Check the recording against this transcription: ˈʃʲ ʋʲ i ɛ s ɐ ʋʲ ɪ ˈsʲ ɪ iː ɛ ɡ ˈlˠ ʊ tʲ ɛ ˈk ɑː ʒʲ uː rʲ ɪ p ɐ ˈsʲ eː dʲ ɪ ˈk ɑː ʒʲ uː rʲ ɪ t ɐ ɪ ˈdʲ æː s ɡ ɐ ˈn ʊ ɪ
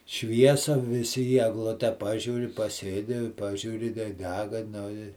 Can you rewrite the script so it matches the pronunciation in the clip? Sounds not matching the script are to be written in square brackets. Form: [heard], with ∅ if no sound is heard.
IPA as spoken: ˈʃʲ ʋʲ i ɛ s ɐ ʋʲ ɪ ˈsʲ ɪ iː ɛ ɡ ˈlˠ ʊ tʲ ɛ [ˈp] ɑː ʒʲ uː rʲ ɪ p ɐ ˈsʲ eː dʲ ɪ [ˈp] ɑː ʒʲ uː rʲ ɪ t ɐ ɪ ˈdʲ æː [∅] ɡ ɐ ˈn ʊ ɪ